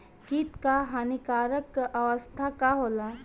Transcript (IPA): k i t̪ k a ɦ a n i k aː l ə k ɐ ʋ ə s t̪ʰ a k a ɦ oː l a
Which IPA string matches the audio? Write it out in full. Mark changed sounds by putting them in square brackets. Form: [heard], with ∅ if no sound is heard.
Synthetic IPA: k i t̪ k a ɦ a n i k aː [ɾ] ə k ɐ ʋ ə s t̪ʰ a k a ɦ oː l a